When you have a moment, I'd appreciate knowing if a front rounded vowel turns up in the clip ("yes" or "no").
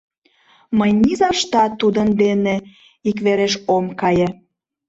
no